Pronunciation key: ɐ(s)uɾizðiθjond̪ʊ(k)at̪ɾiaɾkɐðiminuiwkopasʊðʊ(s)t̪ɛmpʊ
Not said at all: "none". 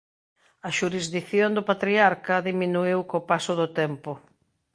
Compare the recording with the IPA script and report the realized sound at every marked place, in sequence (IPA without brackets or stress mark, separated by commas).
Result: ʃ, p, none